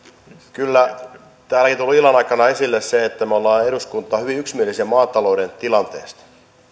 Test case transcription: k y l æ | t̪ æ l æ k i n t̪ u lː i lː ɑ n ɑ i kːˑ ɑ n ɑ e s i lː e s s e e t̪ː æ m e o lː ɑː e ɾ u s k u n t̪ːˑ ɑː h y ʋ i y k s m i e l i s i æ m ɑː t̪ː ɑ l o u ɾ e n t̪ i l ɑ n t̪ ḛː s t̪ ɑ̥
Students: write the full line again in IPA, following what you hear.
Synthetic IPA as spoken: k y lː æ | t̪ æː l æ k i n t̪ u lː i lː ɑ n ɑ i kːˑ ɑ n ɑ e s i lː e s s e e t̪ː æ m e o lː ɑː e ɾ u s k u n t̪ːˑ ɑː h y ʋ i y k s m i e l i s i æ m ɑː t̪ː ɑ l o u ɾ e n t̪ i l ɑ n t̪ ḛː s t̪ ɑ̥

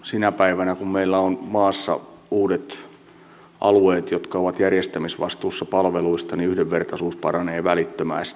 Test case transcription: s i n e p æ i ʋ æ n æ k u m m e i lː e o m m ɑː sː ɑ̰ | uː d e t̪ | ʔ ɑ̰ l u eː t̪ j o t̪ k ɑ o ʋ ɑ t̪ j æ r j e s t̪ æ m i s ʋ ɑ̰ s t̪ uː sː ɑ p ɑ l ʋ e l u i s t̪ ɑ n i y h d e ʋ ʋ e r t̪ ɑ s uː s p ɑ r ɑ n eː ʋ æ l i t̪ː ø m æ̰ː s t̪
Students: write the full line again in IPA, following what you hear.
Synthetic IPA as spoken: s i n æ p æ i ʋ æ n æ k u m m e i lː æ o n m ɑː sː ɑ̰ | uː d e t̪ | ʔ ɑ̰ l u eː t̪ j o t̪ k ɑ o ʋ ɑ t̪ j æ r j e s t̪ æ m i s ʋ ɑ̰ s t̪ uː sː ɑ p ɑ l ʋ e l u i s t̪ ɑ n i y h d e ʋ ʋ e r t̪ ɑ s uː s p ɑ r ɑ n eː ʋ æ l i t̪ː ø m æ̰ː s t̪

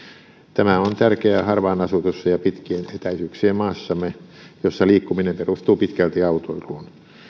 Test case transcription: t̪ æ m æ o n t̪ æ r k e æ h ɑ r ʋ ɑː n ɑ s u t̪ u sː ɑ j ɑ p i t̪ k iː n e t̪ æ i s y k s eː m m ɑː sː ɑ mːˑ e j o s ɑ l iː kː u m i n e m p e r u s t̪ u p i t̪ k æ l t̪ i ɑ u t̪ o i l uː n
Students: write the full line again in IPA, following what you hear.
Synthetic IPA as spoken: t̪ æ m æ o n t̪ æ r k e æ h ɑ r ʋ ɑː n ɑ s u t̪ u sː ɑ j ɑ p i t̪ k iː n e t̪ æ i s y k s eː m m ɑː sː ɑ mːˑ e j o sː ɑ l iː kː u m i n e m p e r u s t̪ uː p i t̪ k æ l t̪ i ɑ u t̪ o i l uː n

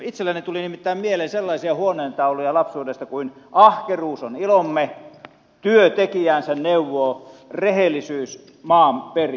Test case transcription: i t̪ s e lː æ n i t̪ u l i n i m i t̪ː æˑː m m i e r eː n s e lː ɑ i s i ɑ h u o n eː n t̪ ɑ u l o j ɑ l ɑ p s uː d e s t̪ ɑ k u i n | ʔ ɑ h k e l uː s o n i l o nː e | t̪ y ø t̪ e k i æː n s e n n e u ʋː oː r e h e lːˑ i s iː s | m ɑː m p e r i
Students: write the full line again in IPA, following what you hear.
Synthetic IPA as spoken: i t̪ s e lː æ n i t̪ u l i n i m i t̪ː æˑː m m i e l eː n s e lː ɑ i s i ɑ h u o n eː n t̪ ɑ u l o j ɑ l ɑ p s uː d e s t̪ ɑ k u i n | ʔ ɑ h k e r uː s o n i l o mː e | t̪ y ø t̪ e k i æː n s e n n e u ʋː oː r e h e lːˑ i s yː s | m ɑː m p e r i

